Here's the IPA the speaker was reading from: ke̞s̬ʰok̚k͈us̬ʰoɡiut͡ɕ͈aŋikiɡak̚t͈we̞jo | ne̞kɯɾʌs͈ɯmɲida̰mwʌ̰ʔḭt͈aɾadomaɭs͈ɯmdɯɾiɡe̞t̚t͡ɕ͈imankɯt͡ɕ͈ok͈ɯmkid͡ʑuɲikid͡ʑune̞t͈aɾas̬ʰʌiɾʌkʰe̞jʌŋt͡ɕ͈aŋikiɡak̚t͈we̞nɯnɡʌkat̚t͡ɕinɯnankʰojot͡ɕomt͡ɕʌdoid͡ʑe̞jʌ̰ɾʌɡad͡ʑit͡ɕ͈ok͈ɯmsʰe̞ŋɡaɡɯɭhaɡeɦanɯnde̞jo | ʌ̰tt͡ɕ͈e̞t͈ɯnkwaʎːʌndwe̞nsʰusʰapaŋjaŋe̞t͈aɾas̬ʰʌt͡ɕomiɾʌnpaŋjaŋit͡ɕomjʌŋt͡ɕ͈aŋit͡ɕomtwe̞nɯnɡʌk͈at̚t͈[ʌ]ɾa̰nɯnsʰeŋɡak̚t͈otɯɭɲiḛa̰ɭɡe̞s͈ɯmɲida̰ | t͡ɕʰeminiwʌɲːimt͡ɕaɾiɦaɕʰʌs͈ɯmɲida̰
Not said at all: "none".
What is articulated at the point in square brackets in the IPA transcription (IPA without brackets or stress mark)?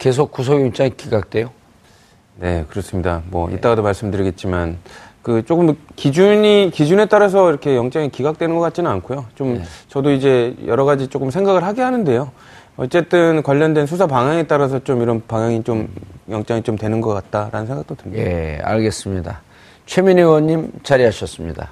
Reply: a